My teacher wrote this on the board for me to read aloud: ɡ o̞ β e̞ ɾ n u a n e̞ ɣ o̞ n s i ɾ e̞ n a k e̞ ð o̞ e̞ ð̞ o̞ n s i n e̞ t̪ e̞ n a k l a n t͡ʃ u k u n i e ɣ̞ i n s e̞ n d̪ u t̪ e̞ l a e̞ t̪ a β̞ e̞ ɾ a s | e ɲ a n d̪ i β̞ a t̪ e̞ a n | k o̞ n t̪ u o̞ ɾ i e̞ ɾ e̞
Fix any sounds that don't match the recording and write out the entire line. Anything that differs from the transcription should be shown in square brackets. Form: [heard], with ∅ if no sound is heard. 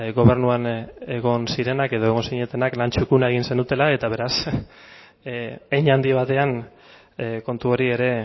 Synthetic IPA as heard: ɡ o̞ β e̞ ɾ n u a n e̞ ɣ o̞ n s i ɾ e̞ n a k e̞ ð o̞ e̞ [ɣ̞] o̞ n s i [ɲ] e̞ t̪ e̞ n a k l a n t͡ʃ u k u n [a] e ɣ̞ i n s e̞ n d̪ u t̪ e̞ l a e̞ t̪ a β̞ e̞ ɾ a s | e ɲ a n d̪ i β̞ a t̪ e̞ a n | k o̞ n t̪ u o̞ ɾ i e̞ ɾ e̞

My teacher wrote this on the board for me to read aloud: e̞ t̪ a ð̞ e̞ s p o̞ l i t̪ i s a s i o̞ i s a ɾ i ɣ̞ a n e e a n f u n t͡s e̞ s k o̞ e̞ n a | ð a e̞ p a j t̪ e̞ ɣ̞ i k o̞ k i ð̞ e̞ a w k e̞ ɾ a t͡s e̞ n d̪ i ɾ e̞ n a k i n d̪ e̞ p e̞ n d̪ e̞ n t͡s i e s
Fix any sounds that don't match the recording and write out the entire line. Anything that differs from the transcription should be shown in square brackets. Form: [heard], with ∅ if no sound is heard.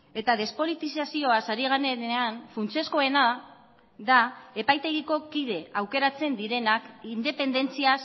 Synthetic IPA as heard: e̞ t̪ a ð̞ e̞ s p o̞ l i t̪ i s a s i o̞ [a] s a ɾ i ɣ̞ a n e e a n f u n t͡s e̞ s k o̞ e̞ n a | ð a e̞ p a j t̪ e̞ ɣ̞ i k o̞ k i ð̞ e̞ a w k e̞ ɾ a t͡s e̞ n d̪ i ɾ e̞ n a k i n d̪ e̞ p e̞ n d̪ e̞ n t͡s i [a] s

